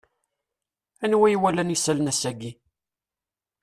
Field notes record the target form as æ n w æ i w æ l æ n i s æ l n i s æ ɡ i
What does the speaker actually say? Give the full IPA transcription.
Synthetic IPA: æ n w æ j w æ l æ n i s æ l n æ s æ ɡ i